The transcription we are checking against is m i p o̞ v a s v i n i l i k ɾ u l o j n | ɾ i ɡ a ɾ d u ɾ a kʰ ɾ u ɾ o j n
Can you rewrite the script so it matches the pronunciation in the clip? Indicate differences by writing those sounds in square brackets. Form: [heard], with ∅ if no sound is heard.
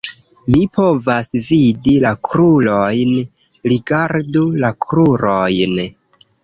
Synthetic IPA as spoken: m i p o̞ v a s v i [d] i l [a] k ɾ u l o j n | ɾ i ɡ a ɾ d u [l] a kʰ ɾ u ɾ o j n